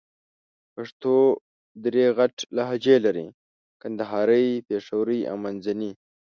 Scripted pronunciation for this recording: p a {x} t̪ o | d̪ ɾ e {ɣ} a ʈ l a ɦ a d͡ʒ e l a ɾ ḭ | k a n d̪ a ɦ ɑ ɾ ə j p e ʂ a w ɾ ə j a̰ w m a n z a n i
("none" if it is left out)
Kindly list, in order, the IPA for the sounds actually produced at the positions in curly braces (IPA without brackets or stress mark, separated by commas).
ʂ, ɣ